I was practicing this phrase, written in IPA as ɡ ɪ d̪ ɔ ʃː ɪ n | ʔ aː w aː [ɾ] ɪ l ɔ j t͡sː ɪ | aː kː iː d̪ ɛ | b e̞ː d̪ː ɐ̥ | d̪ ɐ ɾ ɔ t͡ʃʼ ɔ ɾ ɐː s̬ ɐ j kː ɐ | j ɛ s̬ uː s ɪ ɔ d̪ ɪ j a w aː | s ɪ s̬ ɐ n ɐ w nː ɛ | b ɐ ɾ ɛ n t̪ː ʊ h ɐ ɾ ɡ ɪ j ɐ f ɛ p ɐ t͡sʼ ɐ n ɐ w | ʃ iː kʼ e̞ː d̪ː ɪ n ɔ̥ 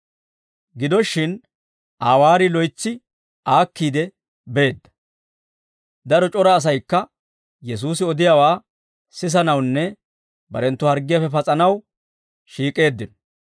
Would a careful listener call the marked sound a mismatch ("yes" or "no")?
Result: no